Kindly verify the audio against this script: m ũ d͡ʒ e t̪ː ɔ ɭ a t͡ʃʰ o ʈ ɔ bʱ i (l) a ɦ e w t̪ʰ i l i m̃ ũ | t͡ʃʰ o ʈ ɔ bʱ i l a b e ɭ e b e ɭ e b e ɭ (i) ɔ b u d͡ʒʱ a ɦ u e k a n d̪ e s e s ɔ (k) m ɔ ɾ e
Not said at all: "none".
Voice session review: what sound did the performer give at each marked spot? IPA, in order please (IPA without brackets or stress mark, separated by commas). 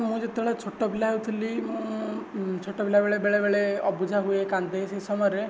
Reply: l, e, none